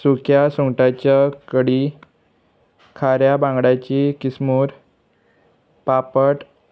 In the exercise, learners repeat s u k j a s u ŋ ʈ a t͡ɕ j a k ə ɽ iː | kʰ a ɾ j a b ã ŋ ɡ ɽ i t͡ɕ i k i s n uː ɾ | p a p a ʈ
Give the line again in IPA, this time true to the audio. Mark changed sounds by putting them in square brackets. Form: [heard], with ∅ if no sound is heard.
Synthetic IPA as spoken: s u k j a s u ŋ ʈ a t͡ɕ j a k ə ɽ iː | kʰ a ɾ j a b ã ŋ ɡ ɽ [a] t͡ɕ i k i s [m] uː ɾ | p a p [ə] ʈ

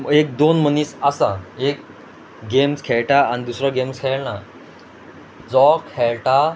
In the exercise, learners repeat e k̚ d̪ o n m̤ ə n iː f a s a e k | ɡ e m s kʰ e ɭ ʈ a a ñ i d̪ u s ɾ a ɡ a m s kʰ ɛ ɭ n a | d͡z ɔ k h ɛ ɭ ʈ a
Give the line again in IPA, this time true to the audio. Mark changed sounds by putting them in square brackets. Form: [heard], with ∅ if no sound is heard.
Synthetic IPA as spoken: e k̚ d̪ o n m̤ ə n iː [s] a s a e k | ɡ e m s kʰ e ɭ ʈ a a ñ i d̪ u s ɾ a ɡ [e] m s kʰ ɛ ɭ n a | d͡z ɔ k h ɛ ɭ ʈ a

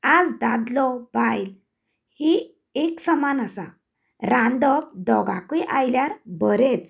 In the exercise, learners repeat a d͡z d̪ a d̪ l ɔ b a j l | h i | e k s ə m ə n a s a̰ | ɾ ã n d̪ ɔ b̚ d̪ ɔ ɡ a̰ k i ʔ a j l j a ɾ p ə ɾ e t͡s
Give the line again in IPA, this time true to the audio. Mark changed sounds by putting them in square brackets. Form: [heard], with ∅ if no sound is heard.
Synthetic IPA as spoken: a d͡z d̪ a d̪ l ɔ b a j l | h i | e k s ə m [a] n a s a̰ | ɾ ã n d̪ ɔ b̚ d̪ ɔ ɡ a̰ k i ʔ a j l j a ɾ [b] ə ɾ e t͡s

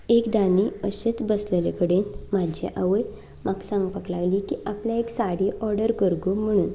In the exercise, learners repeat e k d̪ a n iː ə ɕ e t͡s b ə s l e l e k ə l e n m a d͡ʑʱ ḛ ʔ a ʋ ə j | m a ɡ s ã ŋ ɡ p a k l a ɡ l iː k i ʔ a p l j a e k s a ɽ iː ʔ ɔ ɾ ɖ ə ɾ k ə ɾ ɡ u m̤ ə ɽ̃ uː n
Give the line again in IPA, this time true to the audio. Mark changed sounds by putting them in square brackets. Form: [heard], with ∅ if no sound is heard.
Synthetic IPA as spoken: e k d̪ a n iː ə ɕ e t͡s b ə s l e l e k ə [ɽ] e n m a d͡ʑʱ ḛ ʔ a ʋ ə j | m a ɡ s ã ŋ ɡ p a k l a ɡ l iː k i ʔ a p l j a e k s a ɽ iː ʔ ɔ ɾ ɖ ə ɾ k ə ɾ ɡ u m̤ ə ɽ̃ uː n

